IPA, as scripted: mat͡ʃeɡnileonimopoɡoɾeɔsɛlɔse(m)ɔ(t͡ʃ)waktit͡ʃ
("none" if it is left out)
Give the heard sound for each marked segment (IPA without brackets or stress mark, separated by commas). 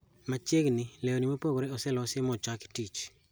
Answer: m, t͡ʃ